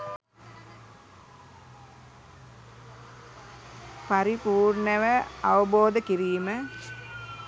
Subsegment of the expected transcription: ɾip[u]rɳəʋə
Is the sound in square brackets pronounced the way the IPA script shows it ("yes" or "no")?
no